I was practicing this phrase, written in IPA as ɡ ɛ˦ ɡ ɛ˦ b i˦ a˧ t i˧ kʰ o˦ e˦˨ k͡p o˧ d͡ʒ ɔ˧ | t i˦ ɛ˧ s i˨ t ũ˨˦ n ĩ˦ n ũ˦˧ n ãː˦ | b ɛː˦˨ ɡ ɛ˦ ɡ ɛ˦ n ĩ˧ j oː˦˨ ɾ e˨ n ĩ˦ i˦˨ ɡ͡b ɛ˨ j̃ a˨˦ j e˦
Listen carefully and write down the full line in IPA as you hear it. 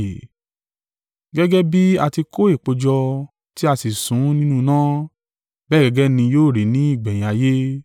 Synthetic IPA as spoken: ɡ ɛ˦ ɡ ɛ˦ b i˦ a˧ t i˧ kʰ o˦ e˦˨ k͡p o˧ d͡ʒ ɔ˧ | t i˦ a˧ s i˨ s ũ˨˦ n ĩ˦ n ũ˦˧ n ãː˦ | b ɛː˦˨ ɡ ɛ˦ ɡ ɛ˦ n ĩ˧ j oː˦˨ ɾ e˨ n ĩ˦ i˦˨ ɡ͡b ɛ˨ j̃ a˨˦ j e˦